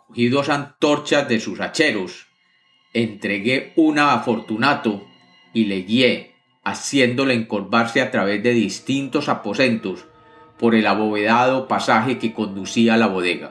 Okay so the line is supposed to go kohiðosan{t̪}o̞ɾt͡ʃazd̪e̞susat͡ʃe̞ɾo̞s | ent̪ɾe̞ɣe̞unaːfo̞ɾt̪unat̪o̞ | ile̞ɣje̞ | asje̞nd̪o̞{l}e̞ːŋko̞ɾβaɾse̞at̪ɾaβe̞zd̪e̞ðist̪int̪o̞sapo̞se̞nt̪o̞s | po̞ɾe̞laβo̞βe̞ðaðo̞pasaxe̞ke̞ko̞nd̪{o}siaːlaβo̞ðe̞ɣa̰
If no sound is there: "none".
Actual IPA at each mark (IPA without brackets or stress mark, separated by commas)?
t̪, l, u